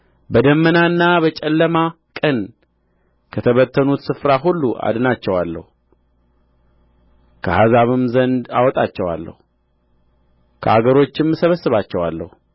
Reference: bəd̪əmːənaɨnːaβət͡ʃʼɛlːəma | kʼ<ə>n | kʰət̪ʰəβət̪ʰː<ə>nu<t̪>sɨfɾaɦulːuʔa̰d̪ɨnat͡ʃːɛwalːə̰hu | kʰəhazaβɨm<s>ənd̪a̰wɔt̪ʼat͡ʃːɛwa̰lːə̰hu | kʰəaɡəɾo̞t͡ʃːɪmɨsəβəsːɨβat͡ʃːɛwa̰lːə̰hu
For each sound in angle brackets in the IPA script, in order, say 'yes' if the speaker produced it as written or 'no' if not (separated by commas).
yes, yes, yes, no